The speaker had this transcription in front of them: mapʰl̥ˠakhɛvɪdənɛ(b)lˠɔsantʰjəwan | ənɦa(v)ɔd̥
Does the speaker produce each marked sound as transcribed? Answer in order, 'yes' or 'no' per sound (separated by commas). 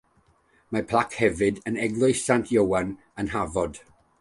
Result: no, yes